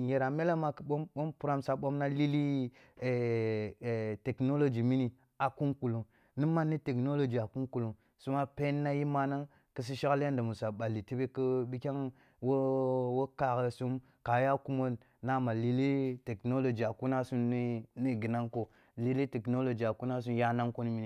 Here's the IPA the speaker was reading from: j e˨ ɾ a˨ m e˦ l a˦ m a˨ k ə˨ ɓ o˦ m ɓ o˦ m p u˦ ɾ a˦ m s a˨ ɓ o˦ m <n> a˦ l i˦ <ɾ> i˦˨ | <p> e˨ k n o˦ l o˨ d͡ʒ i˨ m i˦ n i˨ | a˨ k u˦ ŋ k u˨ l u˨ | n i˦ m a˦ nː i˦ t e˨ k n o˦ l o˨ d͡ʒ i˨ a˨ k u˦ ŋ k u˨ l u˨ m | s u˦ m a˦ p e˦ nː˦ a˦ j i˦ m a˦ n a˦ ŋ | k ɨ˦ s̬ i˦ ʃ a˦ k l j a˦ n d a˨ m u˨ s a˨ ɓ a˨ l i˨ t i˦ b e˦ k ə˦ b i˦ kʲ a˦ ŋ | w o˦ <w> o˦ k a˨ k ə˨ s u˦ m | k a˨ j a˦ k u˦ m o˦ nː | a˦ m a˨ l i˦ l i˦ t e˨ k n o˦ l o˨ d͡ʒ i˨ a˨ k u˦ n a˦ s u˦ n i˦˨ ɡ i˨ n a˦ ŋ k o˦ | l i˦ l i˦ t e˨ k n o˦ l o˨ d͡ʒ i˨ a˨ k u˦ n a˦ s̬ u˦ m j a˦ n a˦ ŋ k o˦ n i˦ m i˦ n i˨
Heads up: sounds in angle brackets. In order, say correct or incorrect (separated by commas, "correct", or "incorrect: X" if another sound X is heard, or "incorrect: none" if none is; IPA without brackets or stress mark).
correct, incorrect: l, incorrect: t, correct